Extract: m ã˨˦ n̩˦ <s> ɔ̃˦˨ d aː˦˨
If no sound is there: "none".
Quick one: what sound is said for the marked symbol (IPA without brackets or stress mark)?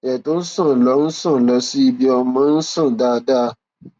s